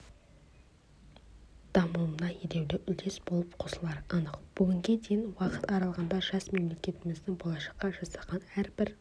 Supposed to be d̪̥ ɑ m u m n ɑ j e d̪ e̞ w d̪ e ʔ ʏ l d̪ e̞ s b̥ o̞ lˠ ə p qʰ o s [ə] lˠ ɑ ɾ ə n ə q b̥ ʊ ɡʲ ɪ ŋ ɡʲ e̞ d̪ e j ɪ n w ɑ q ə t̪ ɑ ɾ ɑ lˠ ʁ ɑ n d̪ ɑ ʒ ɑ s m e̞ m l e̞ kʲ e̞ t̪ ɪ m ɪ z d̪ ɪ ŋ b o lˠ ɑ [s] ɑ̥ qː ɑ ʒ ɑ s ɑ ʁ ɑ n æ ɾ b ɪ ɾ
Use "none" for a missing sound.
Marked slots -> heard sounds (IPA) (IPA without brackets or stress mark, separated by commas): ə, ʃ